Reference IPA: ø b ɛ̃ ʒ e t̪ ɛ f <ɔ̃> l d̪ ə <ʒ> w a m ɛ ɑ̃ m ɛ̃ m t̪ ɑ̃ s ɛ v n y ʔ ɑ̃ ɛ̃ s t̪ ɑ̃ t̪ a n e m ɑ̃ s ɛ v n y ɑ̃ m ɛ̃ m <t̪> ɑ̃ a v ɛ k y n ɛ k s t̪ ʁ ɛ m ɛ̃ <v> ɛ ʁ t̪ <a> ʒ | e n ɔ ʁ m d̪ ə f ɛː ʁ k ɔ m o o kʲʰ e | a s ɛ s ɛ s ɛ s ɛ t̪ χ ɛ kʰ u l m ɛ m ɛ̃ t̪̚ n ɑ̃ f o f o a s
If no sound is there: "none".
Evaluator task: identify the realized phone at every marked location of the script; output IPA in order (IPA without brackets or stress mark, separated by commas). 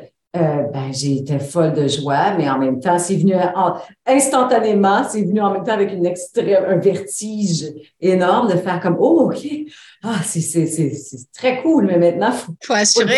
ɔ, ʒ, t̪, v, i